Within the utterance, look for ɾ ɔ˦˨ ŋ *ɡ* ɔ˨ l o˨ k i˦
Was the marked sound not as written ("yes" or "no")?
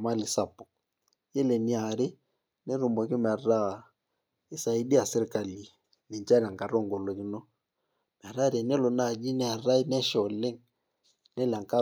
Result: no